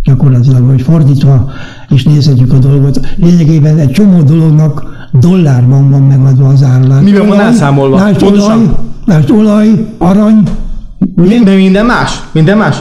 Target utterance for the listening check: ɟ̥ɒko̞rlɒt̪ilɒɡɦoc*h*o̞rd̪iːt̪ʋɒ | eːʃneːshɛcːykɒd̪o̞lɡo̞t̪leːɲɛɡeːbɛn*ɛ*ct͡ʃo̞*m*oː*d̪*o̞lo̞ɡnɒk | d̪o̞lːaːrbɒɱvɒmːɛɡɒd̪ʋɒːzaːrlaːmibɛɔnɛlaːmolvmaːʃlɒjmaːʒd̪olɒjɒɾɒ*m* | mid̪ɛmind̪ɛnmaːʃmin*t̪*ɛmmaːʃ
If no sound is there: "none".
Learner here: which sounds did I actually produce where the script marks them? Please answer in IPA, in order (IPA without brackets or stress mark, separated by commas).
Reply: f, ɛ, m, d̪, ɲ, d̪